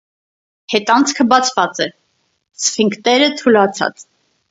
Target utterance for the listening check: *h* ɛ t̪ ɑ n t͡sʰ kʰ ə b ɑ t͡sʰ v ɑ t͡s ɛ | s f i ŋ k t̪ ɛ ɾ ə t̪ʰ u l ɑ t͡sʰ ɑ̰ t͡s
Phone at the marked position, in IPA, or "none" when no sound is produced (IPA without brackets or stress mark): h